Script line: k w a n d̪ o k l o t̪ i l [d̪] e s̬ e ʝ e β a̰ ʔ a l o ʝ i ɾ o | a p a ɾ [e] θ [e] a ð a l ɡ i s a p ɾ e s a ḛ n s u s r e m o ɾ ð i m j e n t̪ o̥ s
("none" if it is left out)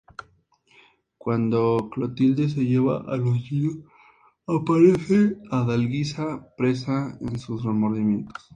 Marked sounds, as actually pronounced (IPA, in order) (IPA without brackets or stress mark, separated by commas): d̪, e, e